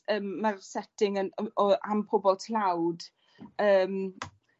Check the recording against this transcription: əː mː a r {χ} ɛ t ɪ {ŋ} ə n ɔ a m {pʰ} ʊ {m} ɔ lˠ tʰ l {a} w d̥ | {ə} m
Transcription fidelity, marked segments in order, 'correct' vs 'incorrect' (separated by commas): incorrect, correct, correct, incorrect, correct, incorrect